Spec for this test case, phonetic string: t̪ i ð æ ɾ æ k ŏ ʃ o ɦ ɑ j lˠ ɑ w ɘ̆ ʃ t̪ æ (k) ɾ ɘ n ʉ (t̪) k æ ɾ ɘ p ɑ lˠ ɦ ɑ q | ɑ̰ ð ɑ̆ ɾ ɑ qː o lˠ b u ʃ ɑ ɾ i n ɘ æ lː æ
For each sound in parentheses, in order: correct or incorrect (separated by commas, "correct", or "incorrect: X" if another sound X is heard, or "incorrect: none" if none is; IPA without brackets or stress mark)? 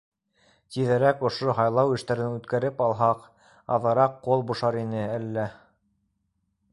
incorrect: none, correct